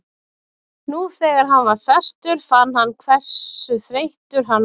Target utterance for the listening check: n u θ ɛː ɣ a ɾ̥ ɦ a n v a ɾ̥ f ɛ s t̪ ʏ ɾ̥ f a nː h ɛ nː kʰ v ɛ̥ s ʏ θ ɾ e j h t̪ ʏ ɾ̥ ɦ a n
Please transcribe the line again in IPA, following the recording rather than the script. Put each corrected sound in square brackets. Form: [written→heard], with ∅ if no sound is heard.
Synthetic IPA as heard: n u θ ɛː ɣ a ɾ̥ ɦ a n v a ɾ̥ [f→s] ɛ s t̪ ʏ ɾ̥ f a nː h [ɛ→a] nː kʰ v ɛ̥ s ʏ θ ɾ e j h t̪ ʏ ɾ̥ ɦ a n

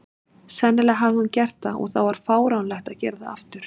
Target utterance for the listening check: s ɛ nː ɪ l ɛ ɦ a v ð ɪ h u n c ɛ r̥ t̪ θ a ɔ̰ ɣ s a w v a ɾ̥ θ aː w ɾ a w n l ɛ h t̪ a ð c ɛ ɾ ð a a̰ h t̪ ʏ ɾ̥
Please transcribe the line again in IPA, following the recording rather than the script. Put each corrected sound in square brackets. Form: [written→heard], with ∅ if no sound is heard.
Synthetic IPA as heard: s ɛ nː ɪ l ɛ ɦ a v ð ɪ h u n c ɛ r̥ t̪ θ a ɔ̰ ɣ [s→θ] a w v a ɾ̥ [θ→f] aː w ɾ a w n l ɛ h t̪ a ð c ɛ ɾ ð a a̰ [h→f] t̪ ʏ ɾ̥

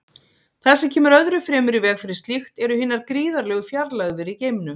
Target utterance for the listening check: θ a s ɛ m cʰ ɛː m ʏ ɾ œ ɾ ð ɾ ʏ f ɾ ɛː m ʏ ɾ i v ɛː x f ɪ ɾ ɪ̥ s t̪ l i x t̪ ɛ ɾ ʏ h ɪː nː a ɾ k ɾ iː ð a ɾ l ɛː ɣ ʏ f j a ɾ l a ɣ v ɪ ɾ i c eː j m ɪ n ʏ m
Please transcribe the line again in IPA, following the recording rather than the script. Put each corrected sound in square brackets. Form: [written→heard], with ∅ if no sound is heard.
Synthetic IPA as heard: θ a s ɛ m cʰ ɛː m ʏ ɾ œ [ɾ→∅] ð ɾ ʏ f ɾ ɛː m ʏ ɾ i v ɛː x f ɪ ɾ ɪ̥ s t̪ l i x t̪ ɛ ɾ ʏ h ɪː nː a ɾ k ɾ iː ð a ɾ l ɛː ɣ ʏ f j a ɾ l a ɣ v ɪ ɾ i c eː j m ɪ n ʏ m

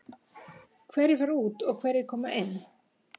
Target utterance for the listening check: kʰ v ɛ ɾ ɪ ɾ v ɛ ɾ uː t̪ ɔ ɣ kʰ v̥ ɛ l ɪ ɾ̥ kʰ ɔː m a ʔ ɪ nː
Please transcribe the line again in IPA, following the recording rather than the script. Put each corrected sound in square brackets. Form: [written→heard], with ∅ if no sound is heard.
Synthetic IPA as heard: kʰ v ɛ ɾ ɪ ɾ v [ɛ→a] ɾ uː t̪ ɔ ɣ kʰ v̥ ɛ [l→ɾ] ɪ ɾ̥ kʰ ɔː m a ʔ ɪ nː

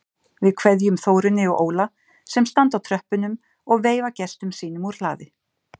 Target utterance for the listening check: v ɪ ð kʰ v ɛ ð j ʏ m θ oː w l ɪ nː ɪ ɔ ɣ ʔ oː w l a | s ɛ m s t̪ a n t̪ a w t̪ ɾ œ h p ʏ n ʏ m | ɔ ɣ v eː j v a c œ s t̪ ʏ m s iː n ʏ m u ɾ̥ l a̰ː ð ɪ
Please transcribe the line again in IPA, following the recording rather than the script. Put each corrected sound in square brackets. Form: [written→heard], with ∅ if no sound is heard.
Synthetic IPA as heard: v ɪ ð kʰ v ɛ ð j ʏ m θ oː w [l→ɾ] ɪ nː ɪ ɔ ɣ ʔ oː w l a | s ɛ m s t̪ a n t̪ a w [t̪→t̪ʰ] ɾ œ h p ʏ n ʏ m | ɔ ɣ v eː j v a c [œ→ɛ] s t̪ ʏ m s iː n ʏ m u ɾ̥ l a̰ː ð ɪ

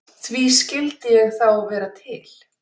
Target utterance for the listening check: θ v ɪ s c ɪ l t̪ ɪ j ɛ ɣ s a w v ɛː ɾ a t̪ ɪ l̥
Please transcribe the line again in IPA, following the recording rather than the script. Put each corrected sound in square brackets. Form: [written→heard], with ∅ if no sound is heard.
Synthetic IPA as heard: θ v [ɪ→i] s c ɪ l t̪ ɪ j ɛ ɣ [s→θ] a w v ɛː ɾ a [t̪→t̪ʰ] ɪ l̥

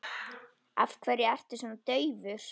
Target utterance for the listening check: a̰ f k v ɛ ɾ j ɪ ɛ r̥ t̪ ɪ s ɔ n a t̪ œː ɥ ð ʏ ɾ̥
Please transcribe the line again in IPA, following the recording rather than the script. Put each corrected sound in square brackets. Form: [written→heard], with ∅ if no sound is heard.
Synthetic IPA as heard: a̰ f [k→kʰ] v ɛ ɾ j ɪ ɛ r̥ t̪ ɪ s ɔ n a t̪ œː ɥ [ð→v] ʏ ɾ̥

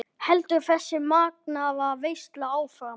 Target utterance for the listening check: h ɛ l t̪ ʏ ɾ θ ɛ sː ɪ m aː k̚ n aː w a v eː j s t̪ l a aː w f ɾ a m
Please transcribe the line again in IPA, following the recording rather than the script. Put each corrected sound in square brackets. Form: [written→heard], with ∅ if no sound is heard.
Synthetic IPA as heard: h ɛ l t̪ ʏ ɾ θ ɛ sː ɪ m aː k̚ n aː [w→v] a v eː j s t̪ l a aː w f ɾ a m

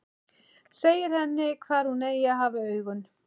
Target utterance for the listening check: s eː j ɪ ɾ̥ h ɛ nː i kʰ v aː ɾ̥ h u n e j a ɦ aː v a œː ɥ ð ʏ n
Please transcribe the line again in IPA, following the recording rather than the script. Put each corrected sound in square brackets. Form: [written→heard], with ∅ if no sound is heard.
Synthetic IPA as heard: s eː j ɪ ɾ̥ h ɛ nː [i→ɪ] kʰ v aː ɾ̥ h u n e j a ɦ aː v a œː ɥ [ð→ɣ] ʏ n

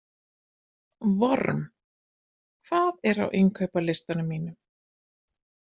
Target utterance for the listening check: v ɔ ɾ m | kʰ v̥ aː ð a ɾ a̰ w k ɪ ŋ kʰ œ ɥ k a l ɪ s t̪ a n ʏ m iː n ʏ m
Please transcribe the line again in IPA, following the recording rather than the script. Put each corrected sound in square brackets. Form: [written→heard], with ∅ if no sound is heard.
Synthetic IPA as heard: v ɔ ɾ m | kʰ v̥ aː ð [a→ɛ] ɾ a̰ w [k→ʔ] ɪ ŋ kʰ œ ɥ [k→p] a l ɪ s t̪ a n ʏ m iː n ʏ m

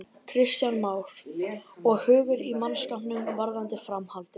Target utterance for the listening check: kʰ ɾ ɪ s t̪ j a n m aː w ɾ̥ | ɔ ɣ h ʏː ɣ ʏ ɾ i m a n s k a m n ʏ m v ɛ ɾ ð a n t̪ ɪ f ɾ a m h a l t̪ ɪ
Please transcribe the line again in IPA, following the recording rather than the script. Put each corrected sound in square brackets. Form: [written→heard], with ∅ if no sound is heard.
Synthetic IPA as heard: kʰ ɾ ɪ s t̪ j a n m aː w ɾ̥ | ɔ ɣ h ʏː ɣ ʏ ɾ i m a n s k a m n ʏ m v [ɛ→a] ɾ ð a n t̪ ɪ f ɾ a m h a l t̪ ɪ

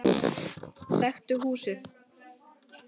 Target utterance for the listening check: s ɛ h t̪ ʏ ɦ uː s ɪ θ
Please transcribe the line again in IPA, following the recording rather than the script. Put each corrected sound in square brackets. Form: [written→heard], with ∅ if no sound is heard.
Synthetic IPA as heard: [s→θ] ɛ [h→x] t̪ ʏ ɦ uː s ɪ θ

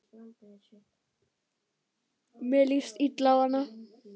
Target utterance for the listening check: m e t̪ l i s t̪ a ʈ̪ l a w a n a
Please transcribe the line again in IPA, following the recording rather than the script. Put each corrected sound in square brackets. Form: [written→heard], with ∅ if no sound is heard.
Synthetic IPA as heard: m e [t̪→∅] l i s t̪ [a→i] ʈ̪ l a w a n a

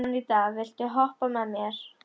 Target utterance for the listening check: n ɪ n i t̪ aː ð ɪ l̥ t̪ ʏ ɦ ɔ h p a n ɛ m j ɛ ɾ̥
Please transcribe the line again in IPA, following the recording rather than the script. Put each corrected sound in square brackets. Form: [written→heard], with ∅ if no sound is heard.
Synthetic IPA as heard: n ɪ n i t̪ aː [ð→v] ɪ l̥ t̪ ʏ ɦ ɔ h p a [n→m] ɛ m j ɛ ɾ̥

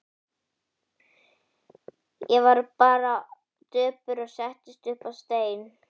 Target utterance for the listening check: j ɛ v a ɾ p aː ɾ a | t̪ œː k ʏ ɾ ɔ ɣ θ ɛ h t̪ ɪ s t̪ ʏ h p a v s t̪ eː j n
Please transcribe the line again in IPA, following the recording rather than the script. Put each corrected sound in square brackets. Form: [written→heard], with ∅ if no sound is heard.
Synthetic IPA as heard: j ɛ v a ɾ p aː ɾ a | t̪ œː [k→p] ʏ ɾ ɔ ɣ [θ→s] ɛ h t̪ ɪ s t̪ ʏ h p a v s t̪ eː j n

